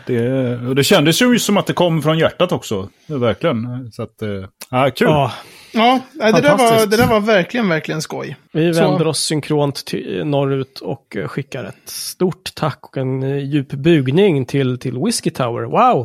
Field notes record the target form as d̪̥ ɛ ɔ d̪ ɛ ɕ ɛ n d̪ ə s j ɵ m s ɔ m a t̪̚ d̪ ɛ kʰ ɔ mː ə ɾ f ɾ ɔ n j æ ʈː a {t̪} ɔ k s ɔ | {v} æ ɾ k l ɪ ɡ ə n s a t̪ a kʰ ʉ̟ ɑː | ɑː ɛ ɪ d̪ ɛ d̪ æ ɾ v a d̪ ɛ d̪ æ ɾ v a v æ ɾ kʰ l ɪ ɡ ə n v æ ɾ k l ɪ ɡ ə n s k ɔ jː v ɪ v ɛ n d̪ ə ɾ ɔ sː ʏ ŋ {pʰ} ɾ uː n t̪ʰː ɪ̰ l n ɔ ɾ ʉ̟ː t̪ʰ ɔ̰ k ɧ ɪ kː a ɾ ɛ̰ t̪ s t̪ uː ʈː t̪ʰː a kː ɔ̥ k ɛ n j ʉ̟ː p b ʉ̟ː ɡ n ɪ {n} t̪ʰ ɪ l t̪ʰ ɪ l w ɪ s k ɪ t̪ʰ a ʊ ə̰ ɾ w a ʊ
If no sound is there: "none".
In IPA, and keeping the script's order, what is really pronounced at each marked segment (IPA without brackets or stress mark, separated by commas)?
t̪, v, kʰ, ŋ